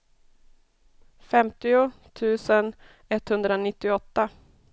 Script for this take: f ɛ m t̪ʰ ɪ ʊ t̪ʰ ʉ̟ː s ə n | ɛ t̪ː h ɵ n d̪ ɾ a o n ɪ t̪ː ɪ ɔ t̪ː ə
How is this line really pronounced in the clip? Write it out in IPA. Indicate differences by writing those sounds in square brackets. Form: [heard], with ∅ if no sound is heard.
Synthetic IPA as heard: f ɛ m [t̪] ɪ ʊ t̪ʰ ʉ̟ː s ə n | ɛ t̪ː h ɵ n d̪ ɾ a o n ɪ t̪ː ɪ ɔ t̪ː [a]